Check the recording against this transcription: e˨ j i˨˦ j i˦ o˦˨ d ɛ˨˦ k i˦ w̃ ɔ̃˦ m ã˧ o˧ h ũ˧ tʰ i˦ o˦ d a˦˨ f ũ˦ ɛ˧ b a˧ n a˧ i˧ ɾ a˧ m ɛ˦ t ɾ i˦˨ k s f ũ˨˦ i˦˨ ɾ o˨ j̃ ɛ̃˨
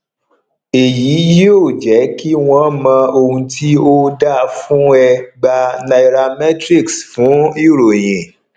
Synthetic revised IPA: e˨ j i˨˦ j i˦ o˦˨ d͡ʒ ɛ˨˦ k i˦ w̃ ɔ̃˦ m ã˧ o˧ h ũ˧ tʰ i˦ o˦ d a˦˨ f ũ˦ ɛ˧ ɡ͡b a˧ n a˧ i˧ ɾ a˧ m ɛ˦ t ɾ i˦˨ k s f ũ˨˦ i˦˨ ɾ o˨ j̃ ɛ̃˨